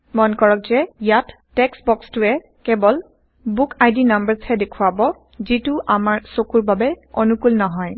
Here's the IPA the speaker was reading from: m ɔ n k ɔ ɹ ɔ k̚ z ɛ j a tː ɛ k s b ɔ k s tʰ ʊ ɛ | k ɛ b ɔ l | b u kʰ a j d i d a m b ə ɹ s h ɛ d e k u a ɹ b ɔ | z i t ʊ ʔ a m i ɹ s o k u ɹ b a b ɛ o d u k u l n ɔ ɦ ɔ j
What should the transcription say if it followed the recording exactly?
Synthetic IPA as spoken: m ɔ n k ɔ ɹ ɔ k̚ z ɛ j a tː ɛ k s b ɔ k s t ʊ ɛ | k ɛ b ɔ l | b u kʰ a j d i n a m b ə ɹ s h ɛ d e kʰ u a b ɔ | z i t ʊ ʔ a m a ɹ s o k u ɹ b a b ɛ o n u k u l n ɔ ɦ ɔ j